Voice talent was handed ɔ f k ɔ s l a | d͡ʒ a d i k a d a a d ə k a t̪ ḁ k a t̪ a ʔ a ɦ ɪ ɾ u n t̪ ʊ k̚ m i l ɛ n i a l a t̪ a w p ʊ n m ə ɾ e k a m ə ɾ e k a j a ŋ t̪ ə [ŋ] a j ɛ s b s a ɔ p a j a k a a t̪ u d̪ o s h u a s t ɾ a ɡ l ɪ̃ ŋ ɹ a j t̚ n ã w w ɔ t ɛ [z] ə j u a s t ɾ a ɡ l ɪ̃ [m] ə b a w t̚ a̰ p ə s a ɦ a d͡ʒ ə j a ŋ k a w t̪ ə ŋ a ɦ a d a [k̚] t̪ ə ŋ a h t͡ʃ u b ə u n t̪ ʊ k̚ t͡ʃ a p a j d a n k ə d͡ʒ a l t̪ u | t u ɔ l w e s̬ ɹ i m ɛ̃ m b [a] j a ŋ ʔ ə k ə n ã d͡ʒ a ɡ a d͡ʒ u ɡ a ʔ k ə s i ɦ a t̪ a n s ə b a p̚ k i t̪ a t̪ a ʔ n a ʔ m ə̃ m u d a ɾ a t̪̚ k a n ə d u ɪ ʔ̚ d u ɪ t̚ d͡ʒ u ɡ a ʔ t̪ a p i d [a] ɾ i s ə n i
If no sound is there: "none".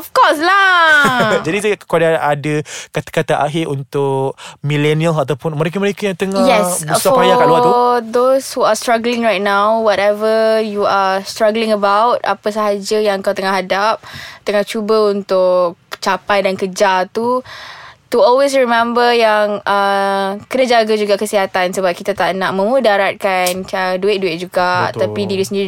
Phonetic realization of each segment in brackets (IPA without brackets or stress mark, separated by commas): ŋ, v, ŋ, p̚, ə, i